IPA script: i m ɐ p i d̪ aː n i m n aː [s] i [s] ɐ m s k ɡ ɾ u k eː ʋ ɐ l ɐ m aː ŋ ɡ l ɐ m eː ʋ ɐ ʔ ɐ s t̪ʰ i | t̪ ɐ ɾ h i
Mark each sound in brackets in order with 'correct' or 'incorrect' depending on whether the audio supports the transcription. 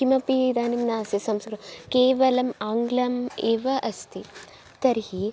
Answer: correct, correct

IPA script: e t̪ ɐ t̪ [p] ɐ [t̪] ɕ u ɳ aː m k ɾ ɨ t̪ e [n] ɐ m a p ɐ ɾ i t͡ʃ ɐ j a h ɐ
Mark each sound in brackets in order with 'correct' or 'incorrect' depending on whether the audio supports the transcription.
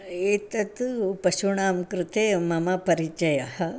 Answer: correct, incorrect, incorrect

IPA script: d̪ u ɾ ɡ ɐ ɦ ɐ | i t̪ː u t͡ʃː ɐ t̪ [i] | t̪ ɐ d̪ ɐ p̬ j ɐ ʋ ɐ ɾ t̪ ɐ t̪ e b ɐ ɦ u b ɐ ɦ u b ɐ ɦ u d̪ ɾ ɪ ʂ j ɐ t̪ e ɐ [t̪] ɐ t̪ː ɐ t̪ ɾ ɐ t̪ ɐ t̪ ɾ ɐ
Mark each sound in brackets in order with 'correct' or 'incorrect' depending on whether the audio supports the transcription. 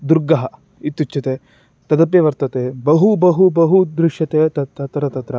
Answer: incorrect, correct

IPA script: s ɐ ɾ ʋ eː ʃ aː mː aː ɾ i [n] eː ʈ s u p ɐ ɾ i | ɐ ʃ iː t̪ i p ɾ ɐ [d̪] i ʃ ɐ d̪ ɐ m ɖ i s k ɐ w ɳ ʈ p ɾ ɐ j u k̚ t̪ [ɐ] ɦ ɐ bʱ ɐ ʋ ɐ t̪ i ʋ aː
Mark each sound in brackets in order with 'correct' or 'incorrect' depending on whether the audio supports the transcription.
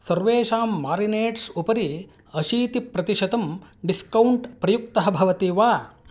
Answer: correct, incorrect, correct

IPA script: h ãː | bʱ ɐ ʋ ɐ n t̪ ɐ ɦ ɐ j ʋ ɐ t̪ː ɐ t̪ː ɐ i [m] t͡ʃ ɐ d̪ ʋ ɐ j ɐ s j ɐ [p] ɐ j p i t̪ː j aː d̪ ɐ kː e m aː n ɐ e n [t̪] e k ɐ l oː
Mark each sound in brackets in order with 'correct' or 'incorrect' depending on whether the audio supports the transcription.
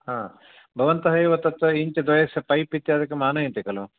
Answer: incorrect, correct, correct

